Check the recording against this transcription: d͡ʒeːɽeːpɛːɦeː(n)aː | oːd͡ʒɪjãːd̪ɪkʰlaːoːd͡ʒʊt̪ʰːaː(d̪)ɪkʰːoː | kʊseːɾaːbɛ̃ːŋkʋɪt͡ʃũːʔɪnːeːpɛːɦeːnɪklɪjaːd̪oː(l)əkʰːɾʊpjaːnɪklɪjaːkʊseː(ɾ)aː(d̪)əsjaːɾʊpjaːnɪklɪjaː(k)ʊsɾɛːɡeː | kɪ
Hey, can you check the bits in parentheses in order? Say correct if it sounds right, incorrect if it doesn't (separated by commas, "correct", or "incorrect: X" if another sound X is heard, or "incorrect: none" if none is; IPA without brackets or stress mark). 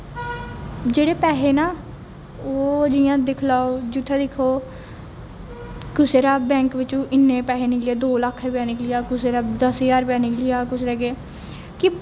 correct, correct, correct, correct, correct, correct